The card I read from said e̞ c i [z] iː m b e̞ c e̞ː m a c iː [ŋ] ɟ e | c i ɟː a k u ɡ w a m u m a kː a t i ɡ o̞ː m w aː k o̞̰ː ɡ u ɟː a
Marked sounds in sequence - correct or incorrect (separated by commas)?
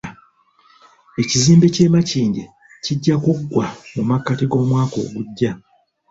correct, incorrect